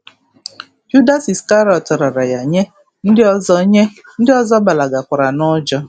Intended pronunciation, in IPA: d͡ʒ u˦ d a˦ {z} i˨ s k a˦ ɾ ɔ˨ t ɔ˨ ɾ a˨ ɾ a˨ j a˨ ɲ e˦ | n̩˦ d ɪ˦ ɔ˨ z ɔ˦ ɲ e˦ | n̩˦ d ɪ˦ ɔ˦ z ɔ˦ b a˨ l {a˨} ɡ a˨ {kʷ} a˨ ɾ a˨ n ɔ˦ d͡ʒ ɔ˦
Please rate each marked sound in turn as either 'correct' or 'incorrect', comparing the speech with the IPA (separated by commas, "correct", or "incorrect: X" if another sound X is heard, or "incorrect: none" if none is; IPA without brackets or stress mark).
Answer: incorrect: s, correct, correct